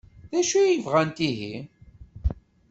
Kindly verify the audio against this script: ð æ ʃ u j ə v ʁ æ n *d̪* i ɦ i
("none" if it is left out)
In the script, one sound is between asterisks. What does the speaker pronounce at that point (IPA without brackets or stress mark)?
t̪